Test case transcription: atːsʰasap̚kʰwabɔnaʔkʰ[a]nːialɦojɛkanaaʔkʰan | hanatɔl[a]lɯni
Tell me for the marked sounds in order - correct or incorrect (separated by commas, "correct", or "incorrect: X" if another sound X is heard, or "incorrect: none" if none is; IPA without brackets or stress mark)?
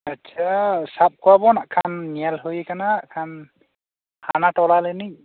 correct, correct